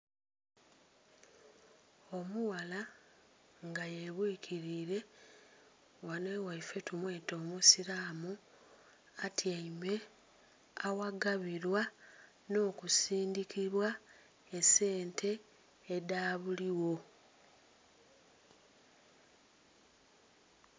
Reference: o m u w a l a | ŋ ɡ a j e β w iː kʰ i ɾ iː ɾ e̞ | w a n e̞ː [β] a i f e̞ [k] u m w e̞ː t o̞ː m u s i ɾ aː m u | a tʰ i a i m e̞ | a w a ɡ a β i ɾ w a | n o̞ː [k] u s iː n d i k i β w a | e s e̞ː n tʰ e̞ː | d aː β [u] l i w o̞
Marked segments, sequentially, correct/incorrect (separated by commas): incorrect, incorrect, correct, correct